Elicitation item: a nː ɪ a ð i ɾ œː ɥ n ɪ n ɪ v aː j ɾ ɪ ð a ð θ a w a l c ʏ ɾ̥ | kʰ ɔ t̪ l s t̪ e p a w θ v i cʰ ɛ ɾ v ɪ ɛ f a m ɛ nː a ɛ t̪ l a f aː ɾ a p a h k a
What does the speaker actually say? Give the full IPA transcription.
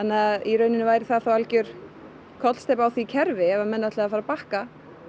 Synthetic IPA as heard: a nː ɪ a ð i ɾ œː ɥ n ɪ n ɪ v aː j ɾ ɪ θ a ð θ a w a l c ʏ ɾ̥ | kʰ ɔ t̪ l s t̪ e p a w θ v i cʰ ɛ ɾ v ɪ ɛ v a m ɛ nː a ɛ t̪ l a f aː ɾ a p a h k a

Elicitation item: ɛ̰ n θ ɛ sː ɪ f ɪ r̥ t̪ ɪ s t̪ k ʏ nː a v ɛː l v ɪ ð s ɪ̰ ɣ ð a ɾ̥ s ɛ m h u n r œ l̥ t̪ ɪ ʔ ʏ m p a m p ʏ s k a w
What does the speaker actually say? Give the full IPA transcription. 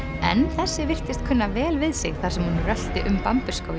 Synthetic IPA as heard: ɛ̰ n θ ɛ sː ɪ v ɪ r̥ t̪ ɪ s t̪ kʰ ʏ nː a v ɛː l v ɪ ð s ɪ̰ ɣ θ a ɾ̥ s ɛ m h u n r œ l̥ t̪ ɪ ʔ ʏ m p a m p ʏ s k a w

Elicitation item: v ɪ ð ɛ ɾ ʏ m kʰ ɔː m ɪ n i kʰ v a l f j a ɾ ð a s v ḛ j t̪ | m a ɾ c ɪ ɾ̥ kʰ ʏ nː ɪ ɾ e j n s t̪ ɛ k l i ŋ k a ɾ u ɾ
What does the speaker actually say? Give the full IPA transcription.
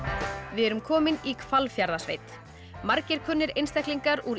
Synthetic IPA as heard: v ɪ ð ɛ ɾ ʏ m kʰ ɔː m ɪ n i kʰ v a l f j a ɾ ð a s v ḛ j t̪ | m a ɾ c ɪ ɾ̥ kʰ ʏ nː ɪ ɾ e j n s t̪ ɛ k l i ŋ k a ɾ u ɾ

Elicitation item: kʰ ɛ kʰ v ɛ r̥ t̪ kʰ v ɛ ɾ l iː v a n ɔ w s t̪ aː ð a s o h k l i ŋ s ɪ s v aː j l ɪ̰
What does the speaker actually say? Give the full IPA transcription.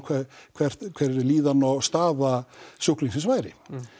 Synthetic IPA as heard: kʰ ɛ kʰ v ɛ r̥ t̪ kʰ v ɛ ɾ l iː ð a n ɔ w s t̪ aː ð a s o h k l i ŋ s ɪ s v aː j ɾ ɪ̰

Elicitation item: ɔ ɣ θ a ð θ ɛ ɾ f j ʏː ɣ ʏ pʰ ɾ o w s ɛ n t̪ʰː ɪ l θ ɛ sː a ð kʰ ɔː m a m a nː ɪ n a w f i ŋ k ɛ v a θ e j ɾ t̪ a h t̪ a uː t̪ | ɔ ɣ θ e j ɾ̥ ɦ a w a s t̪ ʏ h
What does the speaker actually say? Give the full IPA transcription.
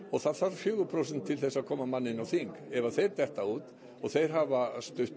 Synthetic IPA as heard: ɔ ɣ θ a ð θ a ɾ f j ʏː ɣ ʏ pʰ ɾ o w s ɛ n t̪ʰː ɪ l θ ɛ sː a ð kʰ ɔː m a m a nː ɪ n a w θ i ŋ k ɛ v a θ e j ɾ t̪ ɛ h t̪ a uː t̪ | ɔ ɣ θ e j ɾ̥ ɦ a v a s t̪ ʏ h

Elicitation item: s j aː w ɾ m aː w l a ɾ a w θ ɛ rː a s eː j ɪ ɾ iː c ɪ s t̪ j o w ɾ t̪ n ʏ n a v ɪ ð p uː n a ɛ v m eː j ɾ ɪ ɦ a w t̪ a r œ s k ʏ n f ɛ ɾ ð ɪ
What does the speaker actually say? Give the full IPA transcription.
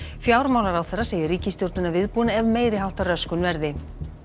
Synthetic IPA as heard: f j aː w ɾ m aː w l a ɾ a w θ ɛ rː a s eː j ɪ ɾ iː c ɪ s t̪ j o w ɾ t̪ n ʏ n a v ɪ ð p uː n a ɛ v m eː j ɾ ɪ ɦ a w t̪ a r œ s k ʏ n v ɛ ɾ ð ɪ

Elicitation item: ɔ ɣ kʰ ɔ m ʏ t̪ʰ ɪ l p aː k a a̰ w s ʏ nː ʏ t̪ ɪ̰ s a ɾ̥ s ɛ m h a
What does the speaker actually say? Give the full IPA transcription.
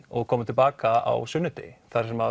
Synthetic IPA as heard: ɔ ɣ kʰ ɔː m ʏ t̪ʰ ɪ l p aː k a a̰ w s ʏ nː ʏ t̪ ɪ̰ θ a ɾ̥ s ɛ m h a

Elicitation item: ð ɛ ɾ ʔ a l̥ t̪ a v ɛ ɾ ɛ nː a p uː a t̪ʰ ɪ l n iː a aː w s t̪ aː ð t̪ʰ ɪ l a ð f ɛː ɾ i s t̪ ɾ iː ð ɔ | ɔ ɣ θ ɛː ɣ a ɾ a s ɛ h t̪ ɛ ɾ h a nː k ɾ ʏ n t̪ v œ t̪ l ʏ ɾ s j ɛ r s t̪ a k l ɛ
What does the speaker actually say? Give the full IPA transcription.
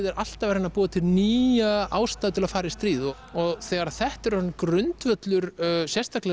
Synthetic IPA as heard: ð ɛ ɾ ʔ a l̥ t̪ a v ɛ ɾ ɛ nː a p uː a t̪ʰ ɪ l n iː a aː w s t̪ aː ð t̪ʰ ɪ l a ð f aː ɾ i s t̪ ɾ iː ð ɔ | ɔ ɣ θ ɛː ɣ a ɾ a θ ɛ h t̪ ɛ ɾ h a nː k ɾ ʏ n t̪ v œ t̪ l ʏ ɾ s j ɛ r s t̪ a k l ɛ

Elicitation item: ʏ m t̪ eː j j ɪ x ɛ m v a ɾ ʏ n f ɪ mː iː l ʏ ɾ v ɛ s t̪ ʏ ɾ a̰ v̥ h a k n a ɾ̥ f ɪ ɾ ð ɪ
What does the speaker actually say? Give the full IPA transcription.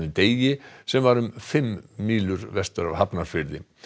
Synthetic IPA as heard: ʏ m t̪ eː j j ɪ s ɛ m v a ɾ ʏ m f ɪ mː iː l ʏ ɾ v ɛ s t̪ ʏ ɾ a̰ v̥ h a p n a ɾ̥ f ɪ ɾ ð ɪ

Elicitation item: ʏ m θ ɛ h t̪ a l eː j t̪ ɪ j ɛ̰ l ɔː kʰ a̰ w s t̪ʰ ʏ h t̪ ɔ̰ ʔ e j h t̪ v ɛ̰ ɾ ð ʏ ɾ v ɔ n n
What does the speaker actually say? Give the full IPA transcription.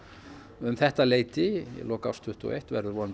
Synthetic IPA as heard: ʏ m θ ɛ h t̪ a l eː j t̪ ɪ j ɛ̰ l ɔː k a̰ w s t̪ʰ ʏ h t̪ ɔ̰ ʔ e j h t̪ v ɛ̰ ɾ ð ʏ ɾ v ɔ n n

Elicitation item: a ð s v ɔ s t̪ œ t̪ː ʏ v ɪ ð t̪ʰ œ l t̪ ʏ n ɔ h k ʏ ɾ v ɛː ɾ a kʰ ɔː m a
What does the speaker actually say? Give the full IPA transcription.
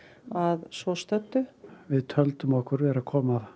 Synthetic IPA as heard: a ð s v ɔ s t̪ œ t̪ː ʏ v ɪ ð t̪ʰ œ l t̪ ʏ m ɔ h k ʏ ɾ v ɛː ɾ a kʰ ɔː m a

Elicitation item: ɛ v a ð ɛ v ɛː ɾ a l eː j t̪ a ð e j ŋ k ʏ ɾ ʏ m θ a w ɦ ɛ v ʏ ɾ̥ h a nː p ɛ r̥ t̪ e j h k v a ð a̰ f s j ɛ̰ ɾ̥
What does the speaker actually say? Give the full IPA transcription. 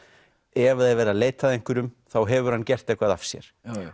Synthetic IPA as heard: ɛ v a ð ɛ v ɛː ɾ a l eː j t̪ a ð e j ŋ k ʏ ɾ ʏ m θ a w ɦ ɛ v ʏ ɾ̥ h a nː c ɛ r̥ t̪ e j h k v a ð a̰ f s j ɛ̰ ɾ̥

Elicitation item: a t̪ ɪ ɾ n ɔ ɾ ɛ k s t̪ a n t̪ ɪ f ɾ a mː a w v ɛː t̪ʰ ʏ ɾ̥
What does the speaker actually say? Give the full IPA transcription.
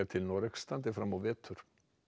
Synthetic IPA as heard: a t̪ʰ ɪ l n ɔ ɾ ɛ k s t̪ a n t̪ ɪ f ɾ a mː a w v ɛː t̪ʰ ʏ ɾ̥

